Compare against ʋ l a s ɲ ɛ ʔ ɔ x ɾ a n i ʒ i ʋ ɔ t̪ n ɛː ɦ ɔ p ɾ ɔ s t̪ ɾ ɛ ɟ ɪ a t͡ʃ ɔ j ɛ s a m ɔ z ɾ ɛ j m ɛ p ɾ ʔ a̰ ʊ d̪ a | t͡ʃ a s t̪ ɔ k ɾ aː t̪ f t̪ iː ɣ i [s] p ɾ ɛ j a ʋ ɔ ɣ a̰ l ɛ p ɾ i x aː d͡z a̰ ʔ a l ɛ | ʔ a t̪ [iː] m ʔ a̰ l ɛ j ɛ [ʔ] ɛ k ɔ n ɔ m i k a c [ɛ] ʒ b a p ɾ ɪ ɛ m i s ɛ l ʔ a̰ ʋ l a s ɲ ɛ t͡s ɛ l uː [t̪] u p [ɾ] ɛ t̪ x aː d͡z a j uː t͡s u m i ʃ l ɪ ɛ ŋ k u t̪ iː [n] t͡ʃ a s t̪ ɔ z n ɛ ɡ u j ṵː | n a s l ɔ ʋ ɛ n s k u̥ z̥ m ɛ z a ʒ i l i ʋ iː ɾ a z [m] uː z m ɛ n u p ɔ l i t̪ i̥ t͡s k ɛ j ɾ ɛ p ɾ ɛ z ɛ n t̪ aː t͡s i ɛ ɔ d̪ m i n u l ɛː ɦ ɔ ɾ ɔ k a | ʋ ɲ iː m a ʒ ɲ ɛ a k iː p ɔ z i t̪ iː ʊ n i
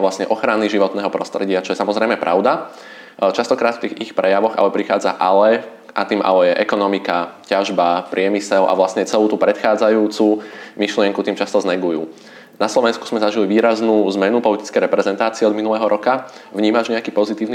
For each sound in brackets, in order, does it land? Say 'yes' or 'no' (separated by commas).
no, yes, yes, no, yes, yes, no, no